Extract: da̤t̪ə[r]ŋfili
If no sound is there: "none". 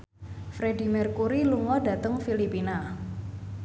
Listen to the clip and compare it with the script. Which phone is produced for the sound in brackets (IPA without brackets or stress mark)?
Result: none